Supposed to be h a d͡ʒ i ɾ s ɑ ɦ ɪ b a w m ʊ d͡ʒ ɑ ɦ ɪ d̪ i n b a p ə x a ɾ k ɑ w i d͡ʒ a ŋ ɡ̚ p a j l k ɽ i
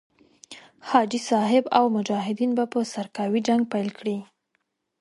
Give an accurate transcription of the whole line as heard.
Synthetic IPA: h ɑ d͡ʒ i s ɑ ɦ ɪ b a w m ʊ d͡ʒ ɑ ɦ ɪ d̪ i n b a p ə s a ɾ k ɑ w i d͡ʒ a ŋ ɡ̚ p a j l k ɽ i

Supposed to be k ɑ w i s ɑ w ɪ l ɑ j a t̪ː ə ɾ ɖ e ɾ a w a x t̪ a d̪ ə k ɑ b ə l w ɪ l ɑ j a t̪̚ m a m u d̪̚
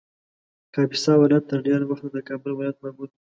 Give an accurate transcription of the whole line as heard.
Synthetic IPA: k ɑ b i s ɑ w ɪ l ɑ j a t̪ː ə ɾ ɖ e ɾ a w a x t̪ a d̪ ə k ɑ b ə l w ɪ l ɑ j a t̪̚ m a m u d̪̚

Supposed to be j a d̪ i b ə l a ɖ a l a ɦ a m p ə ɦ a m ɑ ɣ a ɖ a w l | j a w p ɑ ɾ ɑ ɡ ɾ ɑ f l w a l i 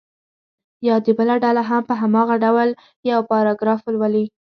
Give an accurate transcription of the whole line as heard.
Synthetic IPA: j ɑ d̪ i b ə l a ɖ a l a ɦ a m p ə ɦ a m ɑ ɣ a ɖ a w l | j a w p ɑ ɾ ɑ ɡ ɾ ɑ f l w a l i

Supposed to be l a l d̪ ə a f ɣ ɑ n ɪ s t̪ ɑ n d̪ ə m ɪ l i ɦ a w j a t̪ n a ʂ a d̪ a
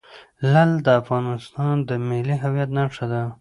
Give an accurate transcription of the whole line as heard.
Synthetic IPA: l a l d̪ ə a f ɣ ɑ n ɪ s t̪ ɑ n d̪ ə m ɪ l i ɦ a w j a t̪ n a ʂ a d̪ a

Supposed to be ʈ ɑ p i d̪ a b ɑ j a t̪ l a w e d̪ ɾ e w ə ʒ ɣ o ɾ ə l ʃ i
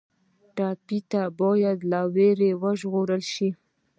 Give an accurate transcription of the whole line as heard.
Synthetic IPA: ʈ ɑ p i t̪ a b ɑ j a d̪ l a w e ɾ e w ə ʒ ɣ o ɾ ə l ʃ i

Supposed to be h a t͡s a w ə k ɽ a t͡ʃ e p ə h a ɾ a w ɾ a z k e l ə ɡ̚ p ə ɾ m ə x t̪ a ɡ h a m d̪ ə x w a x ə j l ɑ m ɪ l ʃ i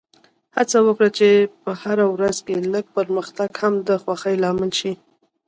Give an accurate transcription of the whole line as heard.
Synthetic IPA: h a t͡s a w ə k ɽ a t͡ʃ e p ə h a ɾ a w ɾ a z k e l ə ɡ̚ p ə ɾ m ə x t̪ a ɡ h a m d̪ ə x w a x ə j l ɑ m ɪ l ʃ i

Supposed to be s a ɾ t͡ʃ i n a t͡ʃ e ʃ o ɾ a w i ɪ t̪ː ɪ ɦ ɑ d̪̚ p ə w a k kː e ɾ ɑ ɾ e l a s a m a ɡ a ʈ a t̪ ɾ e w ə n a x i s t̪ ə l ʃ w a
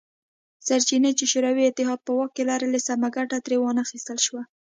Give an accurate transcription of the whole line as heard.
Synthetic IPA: s a ɾ t͡ʃ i n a t͡ʃ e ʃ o ɾ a w i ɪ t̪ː ɪ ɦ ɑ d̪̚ p ə w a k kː e l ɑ ɾ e l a s a m a ɡ a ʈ a t̪ ɾ e w ɑ n a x i s t̪ ə l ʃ w a

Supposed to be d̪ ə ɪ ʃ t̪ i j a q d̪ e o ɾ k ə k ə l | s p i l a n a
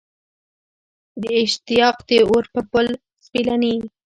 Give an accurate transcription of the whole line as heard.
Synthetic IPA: d̪ ə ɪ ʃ t̪ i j ɑ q d̪ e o ɾ p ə p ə l | s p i l a n i

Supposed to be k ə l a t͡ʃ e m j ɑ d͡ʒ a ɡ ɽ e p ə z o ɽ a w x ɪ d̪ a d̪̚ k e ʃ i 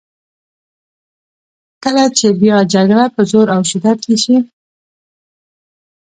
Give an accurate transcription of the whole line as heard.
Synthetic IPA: k ə l a t͡ʃ e b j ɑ d͡ʒ a ɡ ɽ a p ə z o ɾ a w ʃ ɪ d̪ a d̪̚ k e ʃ i

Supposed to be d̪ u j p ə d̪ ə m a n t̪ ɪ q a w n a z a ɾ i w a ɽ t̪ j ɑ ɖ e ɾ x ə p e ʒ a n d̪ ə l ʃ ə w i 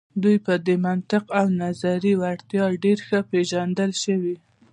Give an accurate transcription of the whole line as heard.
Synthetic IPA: d̪ u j p ə d̪ ə m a n t̪ ɪ q a w n a z a ɾ i w a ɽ t̪ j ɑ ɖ e ɾ x ə p e ʒ a n d̪ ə l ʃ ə w i

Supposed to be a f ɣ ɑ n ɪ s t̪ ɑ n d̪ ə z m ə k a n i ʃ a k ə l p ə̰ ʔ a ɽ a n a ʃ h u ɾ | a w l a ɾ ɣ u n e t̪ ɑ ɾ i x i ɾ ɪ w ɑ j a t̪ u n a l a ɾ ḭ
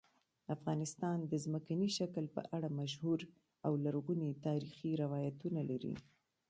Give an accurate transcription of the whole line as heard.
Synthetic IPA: a f ɣ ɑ n ɪ s t̪ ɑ n d̪ ə z m ə k a n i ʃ a k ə l p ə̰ ʔ a ɽ a m a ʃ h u ɾ | a w l a ɾ ɣ u n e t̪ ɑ ɾ i x i ɾ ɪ w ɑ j a t̪ u n a l a ɾ ḭ

